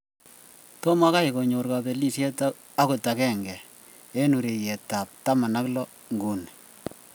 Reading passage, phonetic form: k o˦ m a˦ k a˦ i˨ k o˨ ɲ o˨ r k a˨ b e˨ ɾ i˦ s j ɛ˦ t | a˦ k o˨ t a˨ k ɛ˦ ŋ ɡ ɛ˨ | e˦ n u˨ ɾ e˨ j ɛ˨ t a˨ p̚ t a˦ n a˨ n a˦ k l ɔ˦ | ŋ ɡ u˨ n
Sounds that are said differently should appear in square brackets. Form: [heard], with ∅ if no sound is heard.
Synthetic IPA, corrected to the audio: [t] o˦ m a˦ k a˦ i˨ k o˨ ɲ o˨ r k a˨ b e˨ [l] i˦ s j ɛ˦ t | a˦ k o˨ t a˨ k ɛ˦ ŋ ɡ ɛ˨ | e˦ n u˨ ɾ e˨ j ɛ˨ t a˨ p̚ t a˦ [m] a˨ n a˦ k l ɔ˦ | ŋ ɡ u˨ n

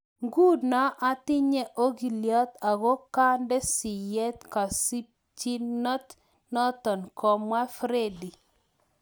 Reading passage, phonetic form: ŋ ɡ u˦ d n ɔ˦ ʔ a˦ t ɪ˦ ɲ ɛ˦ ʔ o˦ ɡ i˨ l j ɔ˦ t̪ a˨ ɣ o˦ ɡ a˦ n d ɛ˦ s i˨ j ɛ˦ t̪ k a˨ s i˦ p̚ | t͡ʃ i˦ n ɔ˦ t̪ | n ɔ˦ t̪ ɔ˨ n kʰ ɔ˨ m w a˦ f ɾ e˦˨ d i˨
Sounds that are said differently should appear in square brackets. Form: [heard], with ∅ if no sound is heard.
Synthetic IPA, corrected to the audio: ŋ ɡ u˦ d n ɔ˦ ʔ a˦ t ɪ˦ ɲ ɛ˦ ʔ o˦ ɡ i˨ l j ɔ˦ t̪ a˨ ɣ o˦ [k] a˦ n d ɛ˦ s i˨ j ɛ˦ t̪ k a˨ s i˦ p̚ | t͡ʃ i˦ n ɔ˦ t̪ | n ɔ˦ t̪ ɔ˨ n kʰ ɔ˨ m w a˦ f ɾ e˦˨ d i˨

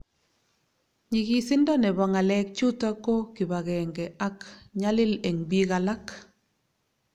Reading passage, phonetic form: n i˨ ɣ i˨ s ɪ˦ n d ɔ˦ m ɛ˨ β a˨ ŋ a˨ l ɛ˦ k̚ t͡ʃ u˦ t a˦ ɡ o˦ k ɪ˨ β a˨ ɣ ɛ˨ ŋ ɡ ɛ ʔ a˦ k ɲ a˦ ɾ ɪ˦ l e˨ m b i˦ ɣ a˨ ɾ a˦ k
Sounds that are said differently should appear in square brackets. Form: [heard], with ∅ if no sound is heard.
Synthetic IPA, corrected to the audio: [ɲ] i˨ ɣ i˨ s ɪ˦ n d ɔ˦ [n] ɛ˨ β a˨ ŋ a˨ l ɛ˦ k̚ t͡ʃ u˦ t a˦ [k] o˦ k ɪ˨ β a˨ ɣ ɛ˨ ŋ ɡ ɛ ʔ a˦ k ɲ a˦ [l] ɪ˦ l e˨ [ŋ] b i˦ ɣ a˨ [l] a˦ k

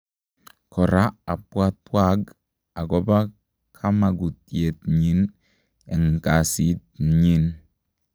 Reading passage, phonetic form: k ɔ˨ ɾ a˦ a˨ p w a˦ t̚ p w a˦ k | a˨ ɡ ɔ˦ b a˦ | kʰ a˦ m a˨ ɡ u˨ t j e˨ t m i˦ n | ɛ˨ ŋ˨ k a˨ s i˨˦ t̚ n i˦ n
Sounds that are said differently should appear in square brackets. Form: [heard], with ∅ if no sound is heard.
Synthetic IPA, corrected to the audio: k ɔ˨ ɾ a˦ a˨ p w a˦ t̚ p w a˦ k | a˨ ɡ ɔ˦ b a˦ | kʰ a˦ m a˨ ɡ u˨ t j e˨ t [ɲ] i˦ n | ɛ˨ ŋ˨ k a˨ s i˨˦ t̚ [ɲ] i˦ n

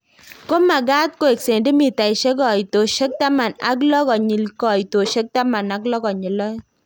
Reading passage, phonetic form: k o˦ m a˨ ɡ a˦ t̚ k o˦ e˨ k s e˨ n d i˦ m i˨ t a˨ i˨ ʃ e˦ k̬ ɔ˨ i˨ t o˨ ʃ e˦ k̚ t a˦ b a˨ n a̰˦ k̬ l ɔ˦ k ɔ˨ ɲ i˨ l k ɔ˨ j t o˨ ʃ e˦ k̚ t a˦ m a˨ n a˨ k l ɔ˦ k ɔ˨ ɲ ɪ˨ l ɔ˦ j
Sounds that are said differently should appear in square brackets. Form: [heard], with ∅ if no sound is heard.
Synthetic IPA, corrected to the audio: k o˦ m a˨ ɡ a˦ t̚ k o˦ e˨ k s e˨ n d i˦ m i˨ t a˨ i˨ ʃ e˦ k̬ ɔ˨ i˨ t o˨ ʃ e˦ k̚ t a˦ [m] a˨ n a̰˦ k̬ l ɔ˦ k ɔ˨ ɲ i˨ l k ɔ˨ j t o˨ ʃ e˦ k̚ t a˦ m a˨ n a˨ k l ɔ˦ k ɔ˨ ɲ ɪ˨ l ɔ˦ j

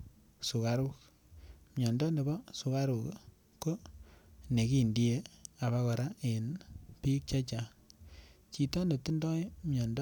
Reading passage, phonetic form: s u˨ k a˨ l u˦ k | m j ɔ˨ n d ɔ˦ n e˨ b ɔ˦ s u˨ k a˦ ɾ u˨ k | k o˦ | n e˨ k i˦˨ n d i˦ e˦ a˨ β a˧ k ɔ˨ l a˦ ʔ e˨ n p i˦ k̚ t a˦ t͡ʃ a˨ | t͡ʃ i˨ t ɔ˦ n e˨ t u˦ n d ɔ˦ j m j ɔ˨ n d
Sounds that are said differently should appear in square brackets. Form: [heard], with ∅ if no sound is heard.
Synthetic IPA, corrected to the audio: s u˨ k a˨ [ɾ] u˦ k | m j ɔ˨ n d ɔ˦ n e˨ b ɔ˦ s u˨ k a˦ ɾ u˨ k | k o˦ | n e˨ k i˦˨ n d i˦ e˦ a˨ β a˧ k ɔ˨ [ɾ] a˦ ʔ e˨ n p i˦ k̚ [t͡ʃ] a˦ t͡ʃ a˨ | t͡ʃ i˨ t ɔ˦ n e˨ t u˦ n d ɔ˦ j m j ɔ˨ n d

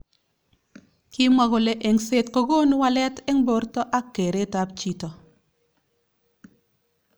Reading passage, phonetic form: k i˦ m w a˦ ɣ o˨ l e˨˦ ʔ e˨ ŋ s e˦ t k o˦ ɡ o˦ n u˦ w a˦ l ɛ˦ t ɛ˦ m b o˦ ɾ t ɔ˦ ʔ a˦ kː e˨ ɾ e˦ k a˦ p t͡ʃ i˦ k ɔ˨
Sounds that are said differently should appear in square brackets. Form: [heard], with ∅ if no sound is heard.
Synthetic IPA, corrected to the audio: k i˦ m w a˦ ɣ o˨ l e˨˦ ʔ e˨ ŋ s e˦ t k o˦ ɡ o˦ n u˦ w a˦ l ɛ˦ t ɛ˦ [ŋ] b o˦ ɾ t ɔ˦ ʔ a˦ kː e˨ ɾ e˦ [t] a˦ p t͡ʃ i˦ [t] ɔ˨

